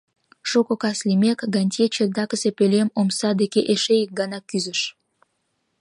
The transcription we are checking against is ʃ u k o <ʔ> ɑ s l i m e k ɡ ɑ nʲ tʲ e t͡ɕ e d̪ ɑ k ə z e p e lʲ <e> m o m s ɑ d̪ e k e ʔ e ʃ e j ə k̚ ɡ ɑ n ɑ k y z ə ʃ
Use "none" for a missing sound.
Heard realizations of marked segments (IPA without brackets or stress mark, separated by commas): k, e